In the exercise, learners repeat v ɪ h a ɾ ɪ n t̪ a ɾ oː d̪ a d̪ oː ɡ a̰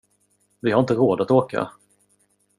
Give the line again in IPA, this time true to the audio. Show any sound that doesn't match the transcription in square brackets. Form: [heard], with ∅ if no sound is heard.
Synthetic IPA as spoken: v ɪ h a ɾ ɪ n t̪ [ə] ɾ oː d̪ a [t̪] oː [k] a̰